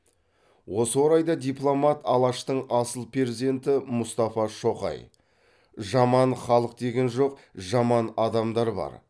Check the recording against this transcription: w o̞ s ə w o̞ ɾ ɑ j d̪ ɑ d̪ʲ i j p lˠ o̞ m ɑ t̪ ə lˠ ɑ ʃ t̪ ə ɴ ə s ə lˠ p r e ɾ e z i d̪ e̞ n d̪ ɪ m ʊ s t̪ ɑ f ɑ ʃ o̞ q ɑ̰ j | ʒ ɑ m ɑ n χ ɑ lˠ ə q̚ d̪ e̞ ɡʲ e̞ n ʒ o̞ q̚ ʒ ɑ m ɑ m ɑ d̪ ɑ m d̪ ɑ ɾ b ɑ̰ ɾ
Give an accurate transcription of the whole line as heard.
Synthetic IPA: w o̞ s ə w o̞ ɾ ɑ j d̪ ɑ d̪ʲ i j p lˠ o̞ m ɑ t̪ ɑ lˠ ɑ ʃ t̪ ə ɴ ɑ s ə lˠ p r e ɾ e z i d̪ e̞ n t̪ ɪ m ʊ s t̪ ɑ f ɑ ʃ o̞ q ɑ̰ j | ʒ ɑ m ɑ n χ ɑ lˠ ə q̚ d̪ e̞ ɡʲ e̞ n ʒ o̞ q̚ ʒ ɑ m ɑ n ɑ d̪ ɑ m d̪ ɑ ɾ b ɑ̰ ɾ